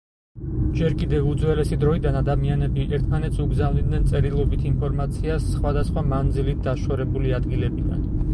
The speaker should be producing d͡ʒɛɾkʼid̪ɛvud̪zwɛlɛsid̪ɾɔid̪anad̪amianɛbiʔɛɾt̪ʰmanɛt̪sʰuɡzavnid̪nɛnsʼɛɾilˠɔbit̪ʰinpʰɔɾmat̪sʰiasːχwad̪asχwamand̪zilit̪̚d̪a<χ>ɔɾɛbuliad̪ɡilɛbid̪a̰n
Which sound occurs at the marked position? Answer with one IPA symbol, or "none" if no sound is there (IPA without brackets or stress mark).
ʃ